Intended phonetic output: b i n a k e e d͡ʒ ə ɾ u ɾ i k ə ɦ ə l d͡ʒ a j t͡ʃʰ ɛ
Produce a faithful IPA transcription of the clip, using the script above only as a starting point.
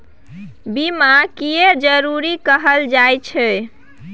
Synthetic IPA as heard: b i m a k i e d͡ʒ ə ɾ u ɾ i k ə ɦ ə l d͡ʒ a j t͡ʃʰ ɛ